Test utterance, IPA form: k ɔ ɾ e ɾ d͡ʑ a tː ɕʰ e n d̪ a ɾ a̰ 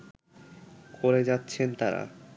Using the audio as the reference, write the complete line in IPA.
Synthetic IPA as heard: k o ɾ e d͡ʑ a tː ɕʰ e n t̪ a ɾ a̰

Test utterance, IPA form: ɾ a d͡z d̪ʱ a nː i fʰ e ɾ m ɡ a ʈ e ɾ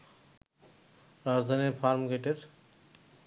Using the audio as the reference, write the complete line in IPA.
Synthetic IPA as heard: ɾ a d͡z d̪ʱ a n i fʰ a ɾ m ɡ e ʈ e ɾ

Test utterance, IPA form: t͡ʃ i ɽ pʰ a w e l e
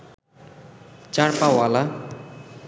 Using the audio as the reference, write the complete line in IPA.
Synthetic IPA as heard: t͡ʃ a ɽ p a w a l a

